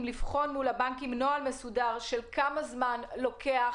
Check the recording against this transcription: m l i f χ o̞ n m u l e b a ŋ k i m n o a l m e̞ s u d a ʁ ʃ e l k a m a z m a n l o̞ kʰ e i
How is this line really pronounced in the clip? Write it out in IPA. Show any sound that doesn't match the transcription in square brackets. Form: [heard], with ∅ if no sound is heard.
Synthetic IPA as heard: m l i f χ o̞ n m u l [a] b a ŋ k i m n o a l m e̞ s u d a ʁ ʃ e l k a m a z m a n l o̞ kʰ e [a]